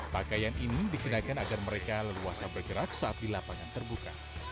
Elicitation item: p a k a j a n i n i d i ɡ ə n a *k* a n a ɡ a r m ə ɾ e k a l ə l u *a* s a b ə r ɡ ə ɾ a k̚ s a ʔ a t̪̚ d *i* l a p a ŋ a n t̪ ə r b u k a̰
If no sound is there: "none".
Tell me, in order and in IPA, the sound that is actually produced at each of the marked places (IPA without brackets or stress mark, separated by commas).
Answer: k, a, i